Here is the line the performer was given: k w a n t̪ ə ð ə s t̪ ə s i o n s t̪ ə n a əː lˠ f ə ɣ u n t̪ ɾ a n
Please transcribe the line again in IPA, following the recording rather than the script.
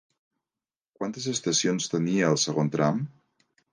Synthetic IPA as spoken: k w a n t̪ ə z ə s t̪ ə s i o n s t̪ ə n i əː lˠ s ə ɣ o n t̪ ɾ a m